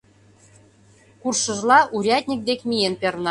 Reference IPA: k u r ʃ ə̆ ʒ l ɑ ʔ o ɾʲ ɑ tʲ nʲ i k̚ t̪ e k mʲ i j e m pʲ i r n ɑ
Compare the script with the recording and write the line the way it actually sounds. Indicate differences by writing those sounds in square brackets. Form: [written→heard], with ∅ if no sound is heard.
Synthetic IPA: k u r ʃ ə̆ ʒ l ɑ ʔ [o→u] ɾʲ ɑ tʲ nʲ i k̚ [t̪→d̪] e k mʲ i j e [m→n] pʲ [i→e] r n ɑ

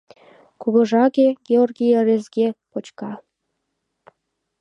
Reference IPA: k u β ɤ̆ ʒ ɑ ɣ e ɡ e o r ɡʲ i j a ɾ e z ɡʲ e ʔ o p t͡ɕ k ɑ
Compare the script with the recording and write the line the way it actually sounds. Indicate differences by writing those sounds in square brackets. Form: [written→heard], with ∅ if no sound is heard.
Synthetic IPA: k u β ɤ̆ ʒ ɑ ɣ e ɡ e o r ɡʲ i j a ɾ e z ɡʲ e [ʔ→p] o [p→∅] t͡ɕ k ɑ

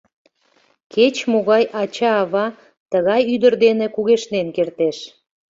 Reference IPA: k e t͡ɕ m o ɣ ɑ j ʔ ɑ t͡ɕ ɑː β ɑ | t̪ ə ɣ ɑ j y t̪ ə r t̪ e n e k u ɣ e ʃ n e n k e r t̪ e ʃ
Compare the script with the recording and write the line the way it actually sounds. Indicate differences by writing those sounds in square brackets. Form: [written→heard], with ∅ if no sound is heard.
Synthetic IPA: k e t͡ɕ m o ɣ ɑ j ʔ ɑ t͡ɕ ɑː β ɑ | t̪ ə ɣ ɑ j y [t̪→d̪] ə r [t̪→d̪] e n e k u ɣ e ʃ n e n k e r t̪ e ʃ

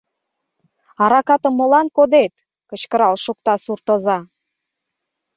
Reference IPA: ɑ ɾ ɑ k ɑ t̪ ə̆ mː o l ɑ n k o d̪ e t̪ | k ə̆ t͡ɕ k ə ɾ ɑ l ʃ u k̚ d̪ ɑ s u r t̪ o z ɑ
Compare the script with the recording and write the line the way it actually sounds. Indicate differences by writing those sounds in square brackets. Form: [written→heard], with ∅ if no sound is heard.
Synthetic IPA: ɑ ɾ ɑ k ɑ t̪ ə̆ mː o l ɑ n k o d̪ e t̪ | k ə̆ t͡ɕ k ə ɾ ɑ l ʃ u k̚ [d̪→t̪] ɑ s u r t̪ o z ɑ

